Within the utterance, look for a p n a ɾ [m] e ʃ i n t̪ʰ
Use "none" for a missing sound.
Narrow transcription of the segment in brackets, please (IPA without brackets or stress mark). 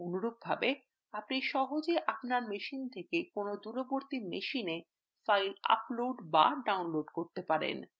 m